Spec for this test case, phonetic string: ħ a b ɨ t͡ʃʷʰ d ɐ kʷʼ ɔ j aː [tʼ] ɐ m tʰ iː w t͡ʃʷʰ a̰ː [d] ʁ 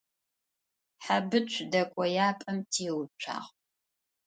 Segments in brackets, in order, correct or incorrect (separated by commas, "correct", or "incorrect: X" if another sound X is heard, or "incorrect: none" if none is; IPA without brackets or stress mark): incorrect: pʼ, incorrect: none